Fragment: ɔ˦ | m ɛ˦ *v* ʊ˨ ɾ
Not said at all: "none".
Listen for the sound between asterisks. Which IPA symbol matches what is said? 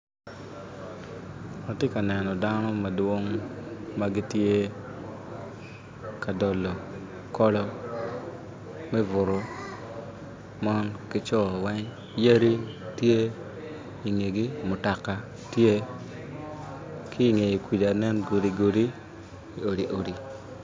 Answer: v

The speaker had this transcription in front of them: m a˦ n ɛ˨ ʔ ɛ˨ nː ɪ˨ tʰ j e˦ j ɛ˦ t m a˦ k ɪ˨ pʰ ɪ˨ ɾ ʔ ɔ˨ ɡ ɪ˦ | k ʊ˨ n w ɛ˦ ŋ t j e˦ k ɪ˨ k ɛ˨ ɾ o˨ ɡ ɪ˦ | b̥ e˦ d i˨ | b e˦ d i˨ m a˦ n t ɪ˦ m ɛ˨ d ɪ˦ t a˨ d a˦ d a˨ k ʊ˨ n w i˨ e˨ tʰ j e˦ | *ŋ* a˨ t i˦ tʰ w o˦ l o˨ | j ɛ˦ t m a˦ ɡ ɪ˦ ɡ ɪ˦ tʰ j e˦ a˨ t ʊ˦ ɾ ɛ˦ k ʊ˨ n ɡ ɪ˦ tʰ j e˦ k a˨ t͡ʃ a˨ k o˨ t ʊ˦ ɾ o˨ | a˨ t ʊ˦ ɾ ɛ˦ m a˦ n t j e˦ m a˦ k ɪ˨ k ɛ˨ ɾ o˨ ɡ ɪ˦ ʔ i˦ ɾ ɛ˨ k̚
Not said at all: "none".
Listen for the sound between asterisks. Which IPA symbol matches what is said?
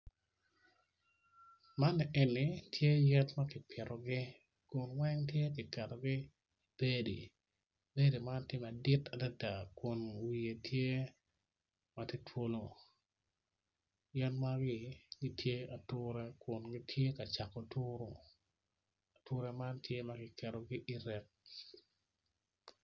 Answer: m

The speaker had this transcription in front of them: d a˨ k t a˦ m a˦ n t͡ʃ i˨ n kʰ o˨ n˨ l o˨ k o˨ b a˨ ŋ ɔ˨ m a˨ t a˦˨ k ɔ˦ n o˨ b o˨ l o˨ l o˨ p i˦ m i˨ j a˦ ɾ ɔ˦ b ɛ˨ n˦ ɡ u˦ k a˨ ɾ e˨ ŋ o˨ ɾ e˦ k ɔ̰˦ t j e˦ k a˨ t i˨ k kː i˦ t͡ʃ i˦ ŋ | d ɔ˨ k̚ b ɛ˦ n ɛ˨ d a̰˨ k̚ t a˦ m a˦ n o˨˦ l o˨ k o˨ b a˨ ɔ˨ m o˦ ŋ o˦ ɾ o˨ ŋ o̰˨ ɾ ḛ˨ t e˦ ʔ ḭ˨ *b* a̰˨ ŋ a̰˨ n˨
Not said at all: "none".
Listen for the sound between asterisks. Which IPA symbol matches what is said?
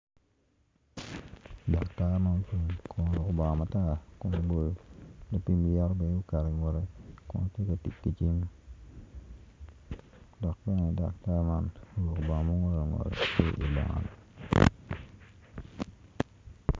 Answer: b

